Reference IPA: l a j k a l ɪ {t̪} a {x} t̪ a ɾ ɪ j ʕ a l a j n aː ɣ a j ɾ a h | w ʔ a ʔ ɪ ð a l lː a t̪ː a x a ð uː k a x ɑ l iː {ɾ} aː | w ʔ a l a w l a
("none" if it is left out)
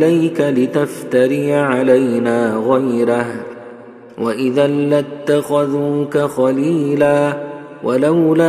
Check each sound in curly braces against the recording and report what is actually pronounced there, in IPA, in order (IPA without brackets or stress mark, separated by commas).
t̪, f, l